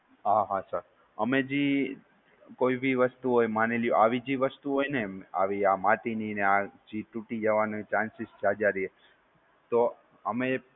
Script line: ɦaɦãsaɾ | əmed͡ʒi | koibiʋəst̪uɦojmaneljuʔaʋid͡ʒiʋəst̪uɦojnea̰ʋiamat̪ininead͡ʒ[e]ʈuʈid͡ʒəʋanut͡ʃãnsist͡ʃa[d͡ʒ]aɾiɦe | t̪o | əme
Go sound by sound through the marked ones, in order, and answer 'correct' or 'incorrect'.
incorrect: i, correct

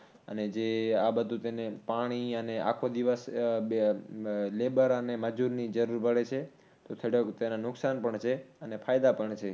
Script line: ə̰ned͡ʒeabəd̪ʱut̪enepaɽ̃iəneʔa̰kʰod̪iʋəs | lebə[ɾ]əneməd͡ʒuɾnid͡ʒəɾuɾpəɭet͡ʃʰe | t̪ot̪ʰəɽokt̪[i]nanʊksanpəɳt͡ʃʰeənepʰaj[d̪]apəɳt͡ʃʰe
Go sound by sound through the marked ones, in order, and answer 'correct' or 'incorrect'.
correct, incorrect: e, correct

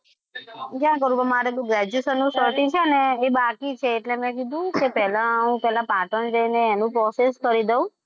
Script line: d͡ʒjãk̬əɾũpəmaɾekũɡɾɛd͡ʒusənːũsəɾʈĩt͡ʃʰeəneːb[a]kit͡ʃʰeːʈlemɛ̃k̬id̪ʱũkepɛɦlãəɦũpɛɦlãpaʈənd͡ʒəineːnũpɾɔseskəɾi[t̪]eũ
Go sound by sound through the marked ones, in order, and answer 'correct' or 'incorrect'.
correct, incorrect: d̪

